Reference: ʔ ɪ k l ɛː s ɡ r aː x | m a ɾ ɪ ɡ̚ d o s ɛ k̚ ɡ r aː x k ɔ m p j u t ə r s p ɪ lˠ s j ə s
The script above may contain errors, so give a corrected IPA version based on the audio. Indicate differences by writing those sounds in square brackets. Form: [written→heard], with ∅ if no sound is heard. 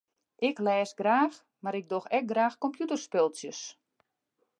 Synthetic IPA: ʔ ɪ k l ɛː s ɡ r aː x | m a ɾ ɪ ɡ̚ d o [s→x] ɛ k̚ ɡ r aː x k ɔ m p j u t ə r s p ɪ lˠ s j ə s